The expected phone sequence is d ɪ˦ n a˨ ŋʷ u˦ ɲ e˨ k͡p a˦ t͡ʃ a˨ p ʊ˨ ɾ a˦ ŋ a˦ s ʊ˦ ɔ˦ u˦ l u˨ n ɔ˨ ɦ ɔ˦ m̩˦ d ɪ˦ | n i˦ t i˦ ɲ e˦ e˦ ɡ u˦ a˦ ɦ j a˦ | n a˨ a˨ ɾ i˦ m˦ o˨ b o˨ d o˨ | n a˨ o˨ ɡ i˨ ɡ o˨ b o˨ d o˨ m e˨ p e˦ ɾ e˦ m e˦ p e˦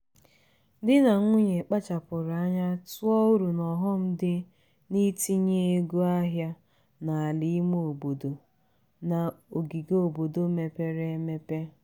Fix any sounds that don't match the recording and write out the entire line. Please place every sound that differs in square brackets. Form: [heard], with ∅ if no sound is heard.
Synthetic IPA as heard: d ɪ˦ n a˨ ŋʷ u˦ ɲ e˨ k͡p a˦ t͡ʃ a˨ p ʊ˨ ɾ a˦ [ɲ] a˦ [t] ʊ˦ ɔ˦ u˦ [ɾ] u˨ n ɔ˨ ɦ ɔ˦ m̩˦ d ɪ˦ | n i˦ t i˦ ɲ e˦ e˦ ɡ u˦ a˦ ɦ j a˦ | n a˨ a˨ [l] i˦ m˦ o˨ b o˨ d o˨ | n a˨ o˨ ɡ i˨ ɡ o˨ b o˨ d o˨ m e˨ p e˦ ɾ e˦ m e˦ p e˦